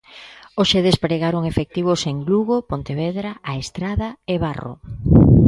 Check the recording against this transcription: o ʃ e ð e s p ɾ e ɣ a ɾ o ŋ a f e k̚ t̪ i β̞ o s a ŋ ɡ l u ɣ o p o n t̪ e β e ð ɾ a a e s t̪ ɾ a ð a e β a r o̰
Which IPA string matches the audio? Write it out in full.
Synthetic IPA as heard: o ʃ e ð e s p ɾ e ɣ a ɾ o ŋ e f e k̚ t̪ i β̞ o s e ŋ ɡ l u ɣ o p o n t̪ e β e ð ɾ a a e s t̪ ɾ a ð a e β a r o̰